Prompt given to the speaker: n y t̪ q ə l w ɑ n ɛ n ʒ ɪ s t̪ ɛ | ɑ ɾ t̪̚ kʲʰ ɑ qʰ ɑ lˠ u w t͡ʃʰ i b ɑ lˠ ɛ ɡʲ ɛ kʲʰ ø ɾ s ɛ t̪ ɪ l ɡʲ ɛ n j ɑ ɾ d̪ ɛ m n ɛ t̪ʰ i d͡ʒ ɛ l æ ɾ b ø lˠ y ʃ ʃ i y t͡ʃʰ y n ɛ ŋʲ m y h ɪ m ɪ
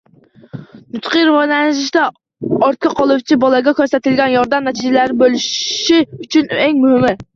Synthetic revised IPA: n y t̪ q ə ɾ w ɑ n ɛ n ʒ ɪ ʃ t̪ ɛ | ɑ ɾ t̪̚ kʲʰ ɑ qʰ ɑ lˠ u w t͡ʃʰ i b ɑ lˠ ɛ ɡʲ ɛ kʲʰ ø ɾ s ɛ t̪ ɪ l ɡʲ ɛ n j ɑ ɾ d̪ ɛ m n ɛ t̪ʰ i d͡ʒ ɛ l æ ɾ b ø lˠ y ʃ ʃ i y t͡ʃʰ y n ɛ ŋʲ m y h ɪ m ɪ